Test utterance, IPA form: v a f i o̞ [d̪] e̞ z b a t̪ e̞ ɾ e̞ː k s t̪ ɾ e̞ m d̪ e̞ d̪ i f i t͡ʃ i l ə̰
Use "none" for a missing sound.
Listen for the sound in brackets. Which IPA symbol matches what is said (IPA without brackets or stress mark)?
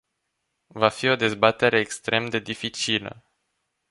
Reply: d̪